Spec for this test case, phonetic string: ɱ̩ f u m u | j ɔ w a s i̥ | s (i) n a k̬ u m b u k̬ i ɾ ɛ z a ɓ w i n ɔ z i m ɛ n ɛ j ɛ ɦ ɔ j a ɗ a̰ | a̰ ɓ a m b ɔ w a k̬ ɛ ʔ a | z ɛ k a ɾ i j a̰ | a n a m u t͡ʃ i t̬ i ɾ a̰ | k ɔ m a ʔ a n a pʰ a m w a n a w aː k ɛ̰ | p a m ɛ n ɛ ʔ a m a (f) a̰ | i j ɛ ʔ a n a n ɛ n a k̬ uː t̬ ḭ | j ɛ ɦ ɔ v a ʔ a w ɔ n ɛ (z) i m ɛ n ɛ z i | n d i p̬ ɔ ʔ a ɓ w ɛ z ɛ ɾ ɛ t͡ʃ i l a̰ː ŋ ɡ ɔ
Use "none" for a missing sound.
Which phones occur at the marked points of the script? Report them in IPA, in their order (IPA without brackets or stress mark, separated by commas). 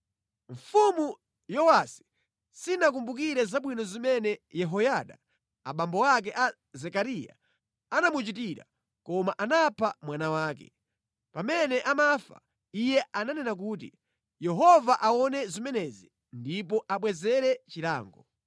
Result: i, f, z